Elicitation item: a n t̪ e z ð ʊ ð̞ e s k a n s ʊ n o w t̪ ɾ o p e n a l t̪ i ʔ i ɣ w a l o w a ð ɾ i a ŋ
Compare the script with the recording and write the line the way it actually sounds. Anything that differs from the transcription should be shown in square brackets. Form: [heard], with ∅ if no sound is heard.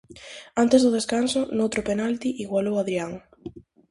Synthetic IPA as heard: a n t̪ e z ð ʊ ð̞ e s k a n s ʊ n o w t̪ ɾ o p e n a l t̪ i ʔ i ɣ w a l o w a ð ɾ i a ŋ